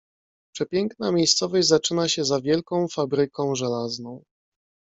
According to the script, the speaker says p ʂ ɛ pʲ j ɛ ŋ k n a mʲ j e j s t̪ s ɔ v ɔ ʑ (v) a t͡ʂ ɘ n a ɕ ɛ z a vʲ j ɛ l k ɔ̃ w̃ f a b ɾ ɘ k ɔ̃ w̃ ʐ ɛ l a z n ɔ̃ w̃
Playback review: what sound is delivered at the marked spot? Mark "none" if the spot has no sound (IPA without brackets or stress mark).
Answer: z